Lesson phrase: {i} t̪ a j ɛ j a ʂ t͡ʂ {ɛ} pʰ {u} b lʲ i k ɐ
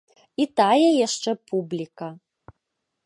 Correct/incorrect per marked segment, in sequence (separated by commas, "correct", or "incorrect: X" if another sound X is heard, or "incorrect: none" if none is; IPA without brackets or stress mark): correct, correct, correct